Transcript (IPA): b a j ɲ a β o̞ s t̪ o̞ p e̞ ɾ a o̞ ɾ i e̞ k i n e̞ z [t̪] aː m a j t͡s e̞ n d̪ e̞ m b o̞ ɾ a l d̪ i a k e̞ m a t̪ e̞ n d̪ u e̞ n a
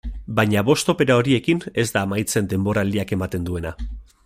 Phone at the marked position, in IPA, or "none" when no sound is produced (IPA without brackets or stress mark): d̪